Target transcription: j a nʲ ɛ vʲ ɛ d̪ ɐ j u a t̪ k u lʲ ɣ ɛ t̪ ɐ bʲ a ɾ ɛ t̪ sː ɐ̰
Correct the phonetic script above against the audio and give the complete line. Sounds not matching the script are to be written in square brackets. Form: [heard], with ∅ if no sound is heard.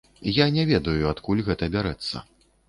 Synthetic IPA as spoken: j a nʲ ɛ vʲ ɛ d̪ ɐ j u a t̪ k u lʲ ɣ ɛ t̪ ɐ bʲ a ɾ ɛ t̪ sː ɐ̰